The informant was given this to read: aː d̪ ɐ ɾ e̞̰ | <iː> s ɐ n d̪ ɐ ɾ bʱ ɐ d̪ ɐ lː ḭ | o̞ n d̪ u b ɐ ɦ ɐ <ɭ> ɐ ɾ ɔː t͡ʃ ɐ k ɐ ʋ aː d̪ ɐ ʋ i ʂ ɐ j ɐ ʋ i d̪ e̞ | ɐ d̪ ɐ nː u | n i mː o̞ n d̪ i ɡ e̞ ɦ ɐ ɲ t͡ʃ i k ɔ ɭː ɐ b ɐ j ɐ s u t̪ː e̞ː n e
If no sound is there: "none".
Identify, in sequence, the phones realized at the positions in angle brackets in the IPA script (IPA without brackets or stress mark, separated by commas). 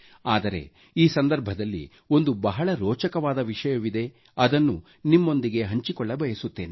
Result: iː, ɭ